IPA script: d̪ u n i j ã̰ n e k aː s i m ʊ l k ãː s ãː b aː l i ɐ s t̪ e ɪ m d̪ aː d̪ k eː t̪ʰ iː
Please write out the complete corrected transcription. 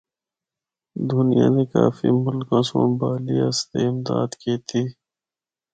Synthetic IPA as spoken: d̪ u n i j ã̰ n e k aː f i m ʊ l k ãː s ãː b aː l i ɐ s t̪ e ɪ m d̪ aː d̪ k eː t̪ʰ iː